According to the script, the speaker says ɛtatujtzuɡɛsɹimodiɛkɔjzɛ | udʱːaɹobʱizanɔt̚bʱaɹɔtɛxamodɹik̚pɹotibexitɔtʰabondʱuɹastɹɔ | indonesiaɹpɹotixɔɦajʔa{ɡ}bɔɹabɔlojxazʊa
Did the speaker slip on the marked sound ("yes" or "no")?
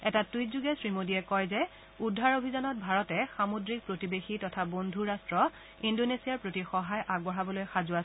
no